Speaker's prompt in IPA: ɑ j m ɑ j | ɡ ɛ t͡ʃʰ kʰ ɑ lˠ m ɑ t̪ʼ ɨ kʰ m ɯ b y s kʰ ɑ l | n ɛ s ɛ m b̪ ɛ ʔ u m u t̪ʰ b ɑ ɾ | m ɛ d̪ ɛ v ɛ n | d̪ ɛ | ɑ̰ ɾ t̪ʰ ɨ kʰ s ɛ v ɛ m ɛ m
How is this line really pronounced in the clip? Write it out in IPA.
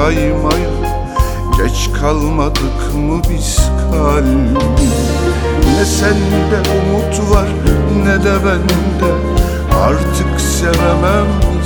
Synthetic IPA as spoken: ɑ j m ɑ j | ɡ ɛ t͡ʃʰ kʰ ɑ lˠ m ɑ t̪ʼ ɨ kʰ m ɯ b i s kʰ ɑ l | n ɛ s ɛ n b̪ ɛ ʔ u m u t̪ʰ v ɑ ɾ | n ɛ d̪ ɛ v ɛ n | d̪ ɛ | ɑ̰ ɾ t̪ʰ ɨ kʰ s ɛ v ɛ m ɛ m